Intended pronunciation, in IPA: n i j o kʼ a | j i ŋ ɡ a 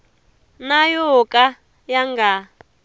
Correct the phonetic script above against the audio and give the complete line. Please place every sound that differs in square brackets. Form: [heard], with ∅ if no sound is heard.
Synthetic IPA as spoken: n [a] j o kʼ a | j [a] ŋ ɡ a